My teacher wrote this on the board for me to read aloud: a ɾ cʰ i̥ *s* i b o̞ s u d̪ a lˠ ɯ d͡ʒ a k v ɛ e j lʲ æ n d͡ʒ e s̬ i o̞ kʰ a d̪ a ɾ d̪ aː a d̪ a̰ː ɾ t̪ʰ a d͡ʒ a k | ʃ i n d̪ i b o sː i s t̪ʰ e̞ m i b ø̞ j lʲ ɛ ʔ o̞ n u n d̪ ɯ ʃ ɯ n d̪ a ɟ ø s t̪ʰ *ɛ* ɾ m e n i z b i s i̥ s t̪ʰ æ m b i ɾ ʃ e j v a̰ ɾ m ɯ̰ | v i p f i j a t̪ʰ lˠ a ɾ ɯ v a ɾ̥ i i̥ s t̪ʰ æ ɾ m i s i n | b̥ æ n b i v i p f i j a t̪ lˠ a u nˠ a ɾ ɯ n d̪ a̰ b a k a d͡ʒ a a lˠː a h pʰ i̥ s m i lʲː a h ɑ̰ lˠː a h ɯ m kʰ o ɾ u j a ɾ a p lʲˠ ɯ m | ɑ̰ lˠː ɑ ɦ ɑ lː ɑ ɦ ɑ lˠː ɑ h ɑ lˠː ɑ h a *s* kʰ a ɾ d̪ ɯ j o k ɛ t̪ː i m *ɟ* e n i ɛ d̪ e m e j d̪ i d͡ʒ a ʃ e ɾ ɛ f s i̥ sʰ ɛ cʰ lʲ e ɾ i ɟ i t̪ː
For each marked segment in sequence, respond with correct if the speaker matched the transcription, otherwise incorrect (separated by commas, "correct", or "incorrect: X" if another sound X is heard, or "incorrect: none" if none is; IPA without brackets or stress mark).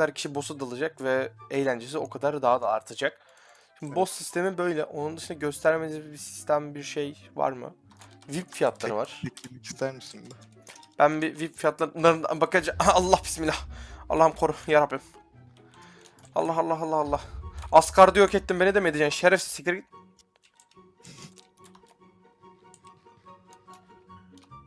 incorrect: ʃ, incorrect: æ, correct, incorrect: b